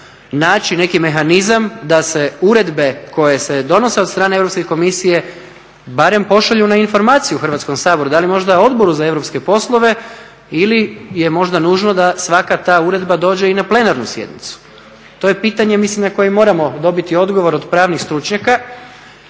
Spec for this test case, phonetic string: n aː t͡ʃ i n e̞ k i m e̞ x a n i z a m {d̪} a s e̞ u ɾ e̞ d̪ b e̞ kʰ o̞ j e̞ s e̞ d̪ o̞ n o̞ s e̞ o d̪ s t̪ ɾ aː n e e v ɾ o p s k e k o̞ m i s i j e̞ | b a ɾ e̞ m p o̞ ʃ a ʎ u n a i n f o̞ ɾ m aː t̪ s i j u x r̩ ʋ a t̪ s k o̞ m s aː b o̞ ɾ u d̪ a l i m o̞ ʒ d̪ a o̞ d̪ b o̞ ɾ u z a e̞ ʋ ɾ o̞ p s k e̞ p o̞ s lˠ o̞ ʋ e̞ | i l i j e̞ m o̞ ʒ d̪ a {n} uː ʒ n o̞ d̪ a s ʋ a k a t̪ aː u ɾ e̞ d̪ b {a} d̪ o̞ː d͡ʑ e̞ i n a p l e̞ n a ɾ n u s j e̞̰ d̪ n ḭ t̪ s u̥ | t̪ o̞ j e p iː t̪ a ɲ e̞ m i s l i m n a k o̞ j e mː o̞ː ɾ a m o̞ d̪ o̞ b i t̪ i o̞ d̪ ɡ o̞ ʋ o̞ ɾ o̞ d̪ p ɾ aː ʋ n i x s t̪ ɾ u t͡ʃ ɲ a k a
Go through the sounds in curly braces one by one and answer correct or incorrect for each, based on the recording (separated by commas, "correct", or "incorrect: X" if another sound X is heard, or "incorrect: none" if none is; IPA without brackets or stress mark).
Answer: correct, correct, correct